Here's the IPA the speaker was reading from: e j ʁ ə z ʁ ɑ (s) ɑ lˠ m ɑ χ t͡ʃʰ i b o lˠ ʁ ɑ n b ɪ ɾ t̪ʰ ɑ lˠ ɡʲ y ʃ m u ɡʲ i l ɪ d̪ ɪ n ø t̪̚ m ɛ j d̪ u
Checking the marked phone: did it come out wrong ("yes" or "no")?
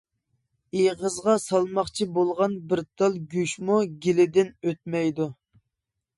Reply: no